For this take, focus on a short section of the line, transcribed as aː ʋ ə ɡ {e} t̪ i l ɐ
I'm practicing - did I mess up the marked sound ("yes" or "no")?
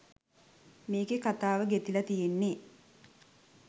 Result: no